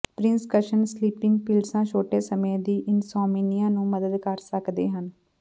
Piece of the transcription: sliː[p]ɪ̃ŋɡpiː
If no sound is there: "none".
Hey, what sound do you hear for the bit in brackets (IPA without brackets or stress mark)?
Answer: p